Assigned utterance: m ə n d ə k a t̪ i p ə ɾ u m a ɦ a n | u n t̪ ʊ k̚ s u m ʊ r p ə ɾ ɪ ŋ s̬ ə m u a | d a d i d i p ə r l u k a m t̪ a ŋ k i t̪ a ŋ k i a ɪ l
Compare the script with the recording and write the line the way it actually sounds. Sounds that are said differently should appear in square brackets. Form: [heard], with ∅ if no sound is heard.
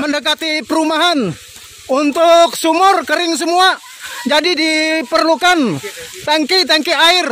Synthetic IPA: m ə n d ə k a t̪ i p ə ɾ u m a ɦ a n | u n t̪ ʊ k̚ s u m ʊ r [k] ə ɾ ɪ ŋ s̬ ə m u a | [d͡ʒ] a d i d i p ə r l u k a [n] t̪ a ŋ k i t̪ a ŋ k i a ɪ [r]